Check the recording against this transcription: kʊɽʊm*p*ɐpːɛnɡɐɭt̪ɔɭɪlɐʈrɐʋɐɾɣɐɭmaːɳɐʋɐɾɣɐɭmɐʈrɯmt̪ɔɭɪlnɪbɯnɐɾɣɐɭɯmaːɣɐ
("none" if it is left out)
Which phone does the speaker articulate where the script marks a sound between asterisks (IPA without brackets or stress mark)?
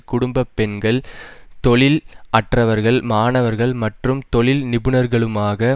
b